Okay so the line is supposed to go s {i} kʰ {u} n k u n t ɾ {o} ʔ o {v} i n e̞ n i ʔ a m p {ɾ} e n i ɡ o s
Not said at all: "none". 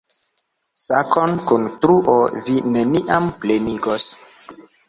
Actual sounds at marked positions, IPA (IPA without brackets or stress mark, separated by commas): a, o, u, v, l